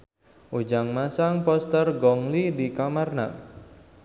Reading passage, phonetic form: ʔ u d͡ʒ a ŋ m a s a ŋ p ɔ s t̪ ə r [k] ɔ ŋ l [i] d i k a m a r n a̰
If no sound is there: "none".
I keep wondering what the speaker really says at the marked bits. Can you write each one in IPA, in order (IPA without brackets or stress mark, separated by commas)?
ɡ, i